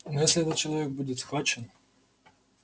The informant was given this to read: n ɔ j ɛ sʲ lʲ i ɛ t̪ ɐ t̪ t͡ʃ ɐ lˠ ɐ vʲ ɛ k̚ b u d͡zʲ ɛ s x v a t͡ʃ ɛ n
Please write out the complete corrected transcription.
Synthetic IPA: n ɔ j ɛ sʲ lʲ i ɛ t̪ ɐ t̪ t͡ʃ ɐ lˠ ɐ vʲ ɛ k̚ b u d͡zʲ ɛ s x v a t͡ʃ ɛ n